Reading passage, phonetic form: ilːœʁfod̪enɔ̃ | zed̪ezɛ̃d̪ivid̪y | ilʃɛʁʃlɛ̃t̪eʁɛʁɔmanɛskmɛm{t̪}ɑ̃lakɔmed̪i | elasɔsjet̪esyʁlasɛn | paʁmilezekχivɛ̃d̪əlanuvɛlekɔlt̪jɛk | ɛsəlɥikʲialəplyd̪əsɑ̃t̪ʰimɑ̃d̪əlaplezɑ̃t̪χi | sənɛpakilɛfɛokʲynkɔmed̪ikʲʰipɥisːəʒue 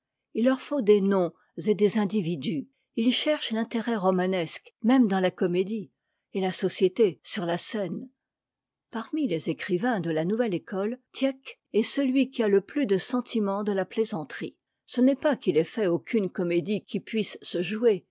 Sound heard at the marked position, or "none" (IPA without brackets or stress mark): d̪